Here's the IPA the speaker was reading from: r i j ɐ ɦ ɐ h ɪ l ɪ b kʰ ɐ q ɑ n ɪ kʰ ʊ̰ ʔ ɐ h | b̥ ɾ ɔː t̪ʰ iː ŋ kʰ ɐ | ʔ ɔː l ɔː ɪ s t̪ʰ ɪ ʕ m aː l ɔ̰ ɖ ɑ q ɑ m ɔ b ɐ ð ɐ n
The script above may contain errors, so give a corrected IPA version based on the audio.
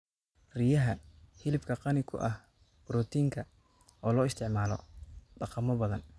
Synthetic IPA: r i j ɐ ɦ ɐ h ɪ l ɪ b kʰ ɐ q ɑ n ɪ kʰ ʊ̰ ʔ ɐ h | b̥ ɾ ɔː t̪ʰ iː ŋ kʰ ɐ | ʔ ɔː l ɔː ɪ s t̪ʰ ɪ ʕ m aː l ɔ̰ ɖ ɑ q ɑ m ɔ b ɐ ð ɐ n

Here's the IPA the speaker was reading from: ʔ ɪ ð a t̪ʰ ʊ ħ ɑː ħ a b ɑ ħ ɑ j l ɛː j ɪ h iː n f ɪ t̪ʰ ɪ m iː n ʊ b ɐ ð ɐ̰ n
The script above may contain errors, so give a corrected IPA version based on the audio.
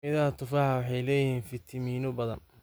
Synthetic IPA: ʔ ɪ ð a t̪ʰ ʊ f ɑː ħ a w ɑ ħ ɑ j l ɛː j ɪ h iː n f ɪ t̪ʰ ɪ m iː n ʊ b ɐ ð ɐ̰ n

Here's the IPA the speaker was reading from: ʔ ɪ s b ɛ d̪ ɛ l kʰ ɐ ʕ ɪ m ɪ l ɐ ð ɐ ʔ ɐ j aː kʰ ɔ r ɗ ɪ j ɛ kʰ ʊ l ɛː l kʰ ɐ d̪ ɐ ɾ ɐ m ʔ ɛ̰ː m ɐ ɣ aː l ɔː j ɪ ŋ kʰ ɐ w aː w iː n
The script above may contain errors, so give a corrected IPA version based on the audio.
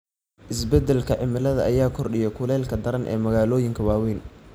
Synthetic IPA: ʔ ɪ s b ɛ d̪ ɛ l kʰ ɐ ʕ ɪ m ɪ l ɐ ð ɐ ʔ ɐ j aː kʰ ɔ r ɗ ɪ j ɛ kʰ ʊ l ɛː l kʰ ɐ d̪ ɐ ɾ ɐ n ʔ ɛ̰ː m ɐ ɣ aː l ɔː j ɪ ŋ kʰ ɐ w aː w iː n

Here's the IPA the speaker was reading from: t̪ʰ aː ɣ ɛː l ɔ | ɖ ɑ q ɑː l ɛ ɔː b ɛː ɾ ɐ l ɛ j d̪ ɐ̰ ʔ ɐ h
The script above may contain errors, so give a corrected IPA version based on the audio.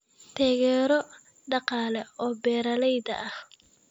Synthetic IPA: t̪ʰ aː ɣ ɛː ɾ ɔ | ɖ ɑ q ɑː l ɛ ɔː b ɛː ɾ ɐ l ɛ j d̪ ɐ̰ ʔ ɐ h

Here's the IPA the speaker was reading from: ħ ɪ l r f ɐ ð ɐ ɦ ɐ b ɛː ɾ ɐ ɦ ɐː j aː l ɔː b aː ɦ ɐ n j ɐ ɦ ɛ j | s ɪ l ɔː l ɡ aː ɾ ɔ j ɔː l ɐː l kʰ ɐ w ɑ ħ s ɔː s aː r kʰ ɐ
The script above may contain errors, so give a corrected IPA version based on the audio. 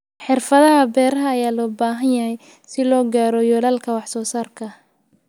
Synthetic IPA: ħ ɪ r f ɐ ð ɐ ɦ ɐ b ɛː ɾ ɐ ɦ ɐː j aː l ɔː b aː ɦ ɐ n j ɐ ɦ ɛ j | s ɪ l ɔː ɡ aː ɾ ɔ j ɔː l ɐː l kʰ ɐ w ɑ ħ s ɔː s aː r kʰ ɐ

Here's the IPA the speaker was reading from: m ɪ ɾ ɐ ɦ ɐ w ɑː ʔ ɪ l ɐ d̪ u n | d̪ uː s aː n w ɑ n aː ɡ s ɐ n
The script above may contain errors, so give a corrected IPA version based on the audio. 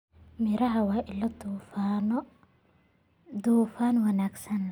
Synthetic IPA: m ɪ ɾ ɐ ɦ ɐ w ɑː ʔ ɪ l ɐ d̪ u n | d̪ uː f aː n w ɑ n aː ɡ s ɐ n

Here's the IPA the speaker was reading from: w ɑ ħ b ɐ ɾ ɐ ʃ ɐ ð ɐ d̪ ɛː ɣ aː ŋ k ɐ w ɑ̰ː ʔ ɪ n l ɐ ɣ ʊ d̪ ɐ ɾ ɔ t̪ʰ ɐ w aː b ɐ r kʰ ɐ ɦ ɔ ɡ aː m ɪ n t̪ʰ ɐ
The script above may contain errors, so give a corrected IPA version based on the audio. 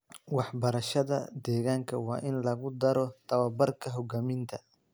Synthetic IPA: w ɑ ħ b ɐ ɾ ɐ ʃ ɐ ð ɐ d̪ ɛː ɣ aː ŋ kʰ ɐ w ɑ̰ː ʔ ɪ n l ɐ ɣ ʊ d̪ ɐ ɾ ɔ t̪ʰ ɐ w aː b ɐ r kʰ ɐ ɦ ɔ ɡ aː m ɪ n t̪ʰ ɐ

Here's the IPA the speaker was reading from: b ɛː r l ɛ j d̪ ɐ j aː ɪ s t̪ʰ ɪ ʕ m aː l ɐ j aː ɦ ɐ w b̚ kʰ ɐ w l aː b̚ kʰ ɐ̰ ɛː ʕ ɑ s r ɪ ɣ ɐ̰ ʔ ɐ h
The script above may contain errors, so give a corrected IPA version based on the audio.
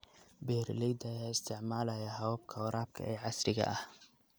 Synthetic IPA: b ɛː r l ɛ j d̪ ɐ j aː ɪ s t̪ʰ ɪ ʕ m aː l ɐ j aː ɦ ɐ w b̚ kʰ ɐ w ɾ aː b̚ kʰ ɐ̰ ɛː ʕ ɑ s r ɪ ɣ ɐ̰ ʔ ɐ h

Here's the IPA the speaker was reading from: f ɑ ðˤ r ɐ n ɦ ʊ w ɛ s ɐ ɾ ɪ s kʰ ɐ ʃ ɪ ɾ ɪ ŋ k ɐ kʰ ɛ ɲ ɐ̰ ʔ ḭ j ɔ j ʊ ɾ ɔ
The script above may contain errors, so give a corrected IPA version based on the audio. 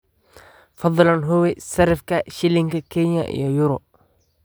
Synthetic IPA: f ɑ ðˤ l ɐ n ɦ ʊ w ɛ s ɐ ɾ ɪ f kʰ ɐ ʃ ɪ l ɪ ŋ k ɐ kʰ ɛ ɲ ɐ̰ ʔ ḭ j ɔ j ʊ ɾ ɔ

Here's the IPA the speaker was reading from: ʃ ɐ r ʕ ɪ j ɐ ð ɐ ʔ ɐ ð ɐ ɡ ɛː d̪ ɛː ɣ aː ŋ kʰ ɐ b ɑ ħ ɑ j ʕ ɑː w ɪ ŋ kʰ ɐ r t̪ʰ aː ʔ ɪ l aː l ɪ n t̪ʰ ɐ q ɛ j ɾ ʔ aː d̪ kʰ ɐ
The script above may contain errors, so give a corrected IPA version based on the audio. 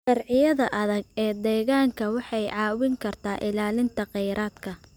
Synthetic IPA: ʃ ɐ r ʕ ɪ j ɐ ð ɐ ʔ ɐ ð ɐ ɡ ɛː d̪ ɛː ɣ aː ŋ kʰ ɐ w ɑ ħ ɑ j ʕ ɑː w ɪ ŋ kʰ ɐ r t̪ʰ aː ʔ ɪ l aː l ɪ n t̪ʰ ɐ q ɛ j ɾ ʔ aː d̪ kʰ ɐ

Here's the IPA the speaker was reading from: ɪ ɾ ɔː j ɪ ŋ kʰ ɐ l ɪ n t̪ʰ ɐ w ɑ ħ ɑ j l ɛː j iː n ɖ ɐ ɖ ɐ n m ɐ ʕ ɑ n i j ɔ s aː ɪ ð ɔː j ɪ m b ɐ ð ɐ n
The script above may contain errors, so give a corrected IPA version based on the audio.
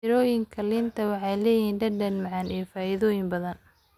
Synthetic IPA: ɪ ɾ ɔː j ɪ ŋ kʰ ɐ l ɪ n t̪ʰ ɐ w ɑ ħ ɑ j l ɛː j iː n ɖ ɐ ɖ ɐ n m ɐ ʕ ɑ n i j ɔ f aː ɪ ð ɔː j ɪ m b ɐ ð ɐ n

